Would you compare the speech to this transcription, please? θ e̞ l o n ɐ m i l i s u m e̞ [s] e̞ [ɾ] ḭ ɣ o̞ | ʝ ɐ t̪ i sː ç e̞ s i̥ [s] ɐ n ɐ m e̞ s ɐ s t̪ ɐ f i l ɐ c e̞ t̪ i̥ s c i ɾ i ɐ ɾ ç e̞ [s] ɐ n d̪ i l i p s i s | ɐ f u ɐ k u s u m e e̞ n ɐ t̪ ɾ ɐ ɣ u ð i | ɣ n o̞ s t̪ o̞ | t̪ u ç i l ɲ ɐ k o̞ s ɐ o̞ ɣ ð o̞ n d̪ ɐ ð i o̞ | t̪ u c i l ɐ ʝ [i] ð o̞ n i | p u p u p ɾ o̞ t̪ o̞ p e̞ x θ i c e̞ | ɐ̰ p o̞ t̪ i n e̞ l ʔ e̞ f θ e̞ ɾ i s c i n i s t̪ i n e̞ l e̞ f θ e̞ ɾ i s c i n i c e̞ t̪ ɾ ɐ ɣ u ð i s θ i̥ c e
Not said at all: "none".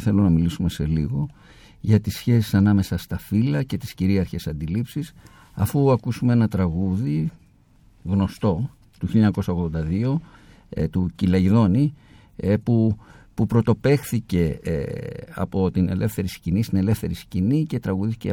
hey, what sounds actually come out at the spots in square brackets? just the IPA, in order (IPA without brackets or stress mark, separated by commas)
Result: s, l, s, s, i